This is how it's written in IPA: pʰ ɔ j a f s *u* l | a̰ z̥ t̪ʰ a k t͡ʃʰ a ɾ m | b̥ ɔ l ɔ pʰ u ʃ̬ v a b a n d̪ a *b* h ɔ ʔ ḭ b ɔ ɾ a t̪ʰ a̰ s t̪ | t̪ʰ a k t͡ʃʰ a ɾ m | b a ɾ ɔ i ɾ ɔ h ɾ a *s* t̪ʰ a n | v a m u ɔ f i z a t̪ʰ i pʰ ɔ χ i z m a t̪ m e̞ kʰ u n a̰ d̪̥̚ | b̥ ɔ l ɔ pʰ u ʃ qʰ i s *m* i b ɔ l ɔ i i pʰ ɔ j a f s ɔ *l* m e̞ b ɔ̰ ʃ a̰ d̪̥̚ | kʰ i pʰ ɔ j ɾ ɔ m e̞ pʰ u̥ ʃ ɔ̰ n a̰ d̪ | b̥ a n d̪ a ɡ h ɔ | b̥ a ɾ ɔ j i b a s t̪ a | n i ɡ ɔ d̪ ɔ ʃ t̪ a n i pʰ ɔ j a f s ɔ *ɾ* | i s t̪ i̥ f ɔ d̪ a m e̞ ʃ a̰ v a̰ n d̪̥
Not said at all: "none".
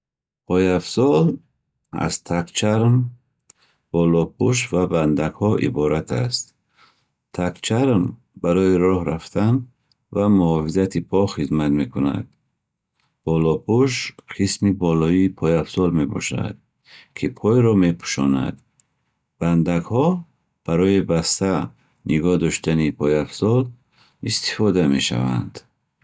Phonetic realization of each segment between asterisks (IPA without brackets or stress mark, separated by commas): ɔ, ɡ, f, m, l, l